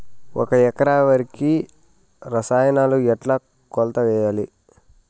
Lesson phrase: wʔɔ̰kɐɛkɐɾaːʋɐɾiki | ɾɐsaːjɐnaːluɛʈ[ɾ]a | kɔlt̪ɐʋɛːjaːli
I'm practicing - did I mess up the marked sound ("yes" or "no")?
yes